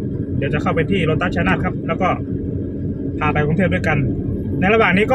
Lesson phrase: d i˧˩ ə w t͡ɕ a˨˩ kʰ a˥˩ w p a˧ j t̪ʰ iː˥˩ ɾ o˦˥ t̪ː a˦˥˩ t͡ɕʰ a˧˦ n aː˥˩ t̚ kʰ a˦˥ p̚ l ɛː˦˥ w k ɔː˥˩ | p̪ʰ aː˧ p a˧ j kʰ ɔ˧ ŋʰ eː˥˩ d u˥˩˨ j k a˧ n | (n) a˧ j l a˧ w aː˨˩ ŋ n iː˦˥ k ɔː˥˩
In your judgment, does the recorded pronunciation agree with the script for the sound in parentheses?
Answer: yes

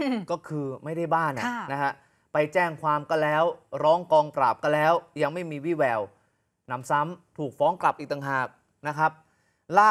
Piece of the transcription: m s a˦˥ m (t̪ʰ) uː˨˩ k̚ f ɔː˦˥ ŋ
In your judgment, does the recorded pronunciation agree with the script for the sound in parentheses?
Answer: yes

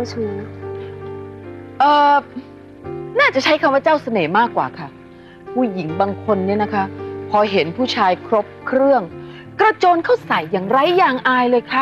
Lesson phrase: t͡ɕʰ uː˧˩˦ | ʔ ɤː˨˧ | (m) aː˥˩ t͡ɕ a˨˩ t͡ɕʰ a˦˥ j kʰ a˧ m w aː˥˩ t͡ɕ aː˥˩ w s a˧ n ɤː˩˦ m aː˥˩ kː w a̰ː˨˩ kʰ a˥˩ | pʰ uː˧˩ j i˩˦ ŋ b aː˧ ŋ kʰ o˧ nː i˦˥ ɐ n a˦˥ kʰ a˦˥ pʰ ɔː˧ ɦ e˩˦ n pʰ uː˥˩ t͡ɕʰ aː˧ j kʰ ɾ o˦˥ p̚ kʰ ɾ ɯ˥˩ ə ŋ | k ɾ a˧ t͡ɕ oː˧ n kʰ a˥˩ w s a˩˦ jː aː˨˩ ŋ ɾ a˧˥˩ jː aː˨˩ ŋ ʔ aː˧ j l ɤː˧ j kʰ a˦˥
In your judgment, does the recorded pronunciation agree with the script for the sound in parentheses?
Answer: no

